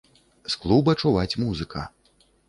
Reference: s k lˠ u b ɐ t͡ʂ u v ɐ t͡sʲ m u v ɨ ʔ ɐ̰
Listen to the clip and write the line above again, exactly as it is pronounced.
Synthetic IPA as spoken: s k lˠ u b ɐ t͡ʂ u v a t͡sʲ m u z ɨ k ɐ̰